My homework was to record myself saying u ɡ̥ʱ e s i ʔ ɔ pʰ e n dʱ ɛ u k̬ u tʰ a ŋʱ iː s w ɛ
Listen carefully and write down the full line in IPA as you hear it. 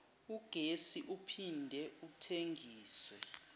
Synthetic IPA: u ɡ̥ʱ e s i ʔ u pʰ i n dʱ ɛ u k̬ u tʰ e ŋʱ iː s w ɛ